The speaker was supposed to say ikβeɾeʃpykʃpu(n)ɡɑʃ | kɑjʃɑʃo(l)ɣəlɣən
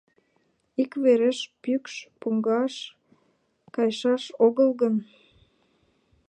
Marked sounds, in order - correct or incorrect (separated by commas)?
incorrect, incorrect